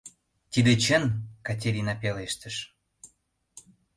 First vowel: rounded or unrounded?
unrounded